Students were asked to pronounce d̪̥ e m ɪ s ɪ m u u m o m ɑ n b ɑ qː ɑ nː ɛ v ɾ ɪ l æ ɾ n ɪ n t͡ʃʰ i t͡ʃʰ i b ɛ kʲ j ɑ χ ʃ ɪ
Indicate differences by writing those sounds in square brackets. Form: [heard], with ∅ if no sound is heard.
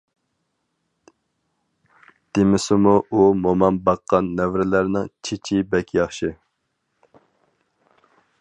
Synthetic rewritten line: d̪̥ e m ɪ s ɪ m u u m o m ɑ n b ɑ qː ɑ nː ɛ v ɾ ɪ l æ ɾ n ɪ [ŋ] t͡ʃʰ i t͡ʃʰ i b ɛ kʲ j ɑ χ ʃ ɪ